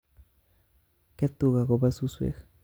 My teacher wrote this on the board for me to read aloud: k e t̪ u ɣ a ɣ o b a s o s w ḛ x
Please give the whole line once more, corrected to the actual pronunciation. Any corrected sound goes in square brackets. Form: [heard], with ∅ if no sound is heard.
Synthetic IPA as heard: k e t̪ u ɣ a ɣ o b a s [u] s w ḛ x